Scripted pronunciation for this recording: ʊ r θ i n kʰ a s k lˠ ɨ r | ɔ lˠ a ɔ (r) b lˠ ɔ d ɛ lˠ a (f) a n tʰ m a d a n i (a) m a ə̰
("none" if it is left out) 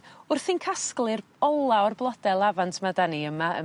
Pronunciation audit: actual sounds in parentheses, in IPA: r, v, ə

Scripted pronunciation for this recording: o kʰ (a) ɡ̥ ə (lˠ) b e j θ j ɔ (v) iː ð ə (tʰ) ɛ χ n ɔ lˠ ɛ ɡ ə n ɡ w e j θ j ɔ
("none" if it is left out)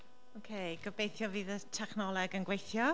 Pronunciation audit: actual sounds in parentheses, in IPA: e, none, v, tʰ

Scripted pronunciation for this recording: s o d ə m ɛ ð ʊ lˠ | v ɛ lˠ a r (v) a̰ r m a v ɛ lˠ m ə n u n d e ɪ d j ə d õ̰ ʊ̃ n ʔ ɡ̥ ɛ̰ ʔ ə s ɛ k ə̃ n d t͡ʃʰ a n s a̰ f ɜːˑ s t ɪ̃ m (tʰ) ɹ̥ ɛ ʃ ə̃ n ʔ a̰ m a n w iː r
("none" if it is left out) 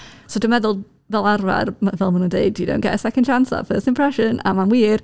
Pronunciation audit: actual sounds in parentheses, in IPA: v, pʰ

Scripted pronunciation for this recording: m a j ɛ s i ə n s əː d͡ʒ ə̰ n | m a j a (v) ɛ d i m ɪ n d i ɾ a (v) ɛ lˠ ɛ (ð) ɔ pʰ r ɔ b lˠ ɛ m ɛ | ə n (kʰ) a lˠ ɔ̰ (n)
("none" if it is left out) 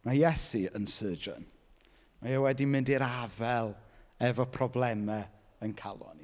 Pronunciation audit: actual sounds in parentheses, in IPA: w, v, v, kʰ, n

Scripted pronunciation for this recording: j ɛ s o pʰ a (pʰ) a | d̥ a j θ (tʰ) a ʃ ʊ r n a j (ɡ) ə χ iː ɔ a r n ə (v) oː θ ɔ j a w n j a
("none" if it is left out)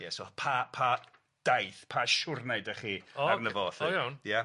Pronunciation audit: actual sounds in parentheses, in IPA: pʰ, pʰ, d, v

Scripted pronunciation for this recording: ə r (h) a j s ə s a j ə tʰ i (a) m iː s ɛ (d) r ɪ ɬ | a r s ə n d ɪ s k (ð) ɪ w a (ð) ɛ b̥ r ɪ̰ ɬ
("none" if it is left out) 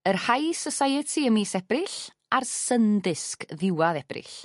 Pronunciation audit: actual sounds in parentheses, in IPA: h, ə, b, ð, ð

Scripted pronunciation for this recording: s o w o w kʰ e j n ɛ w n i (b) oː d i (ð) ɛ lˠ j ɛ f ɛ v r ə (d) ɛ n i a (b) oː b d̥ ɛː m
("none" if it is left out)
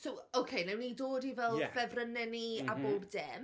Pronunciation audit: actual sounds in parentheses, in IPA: d, v, n, b

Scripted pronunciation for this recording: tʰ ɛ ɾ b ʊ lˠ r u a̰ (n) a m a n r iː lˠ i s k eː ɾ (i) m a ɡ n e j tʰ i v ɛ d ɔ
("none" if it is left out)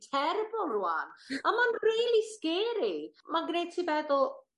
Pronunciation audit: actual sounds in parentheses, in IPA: n, i

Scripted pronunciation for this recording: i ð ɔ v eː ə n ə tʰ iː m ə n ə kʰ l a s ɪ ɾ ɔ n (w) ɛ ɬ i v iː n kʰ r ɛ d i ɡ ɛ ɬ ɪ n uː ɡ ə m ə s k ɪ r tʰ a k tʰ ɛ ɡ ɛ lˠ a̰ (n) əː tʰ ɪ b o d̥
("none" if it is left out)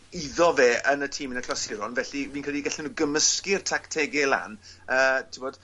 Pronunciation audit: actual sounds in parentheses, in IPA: v, n

